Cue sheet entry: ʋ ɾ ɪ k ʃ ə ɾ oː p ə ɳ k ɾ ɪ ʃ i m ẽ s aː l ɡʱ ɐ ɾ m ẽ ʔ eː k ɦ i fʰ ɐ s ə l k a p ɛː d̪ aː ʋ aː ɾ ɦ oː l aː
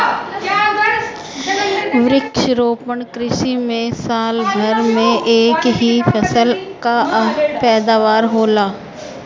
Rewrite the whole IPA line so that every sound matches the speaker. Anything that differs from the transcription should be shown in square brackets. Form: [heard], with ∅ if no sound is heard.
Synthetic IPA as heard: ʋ ɾ ɪ k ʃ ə ɾ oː p ə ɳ k ɾ ɪ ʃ i m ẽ s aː l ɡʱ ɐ ɾ m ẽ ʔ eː k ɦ i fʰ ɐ s ə l k a p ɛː d̪ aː ʋ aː ɾ ɦ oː l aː